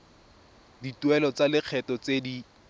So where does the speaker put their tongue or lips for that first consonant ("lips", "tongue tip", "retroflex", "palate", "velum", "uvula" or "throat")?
tongue tip